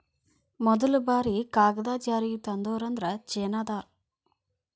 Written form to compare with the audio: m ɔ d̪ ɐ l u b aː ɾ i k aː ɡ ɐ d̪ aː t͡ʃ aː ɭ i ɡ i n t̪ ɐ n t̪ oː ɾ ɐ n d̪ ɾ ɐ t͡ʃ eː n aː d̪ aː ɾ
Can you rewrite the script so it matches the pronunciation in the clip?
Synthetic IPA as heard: m ɔ d̪ ɐ l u b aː ɾ i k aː ɡ ɐ d̪ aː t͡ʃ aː ɾ i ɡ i t̪ ɐ n d̪ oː ɾ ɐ n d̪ ɾ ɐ t͡ʃ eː n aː d̪ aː ɾ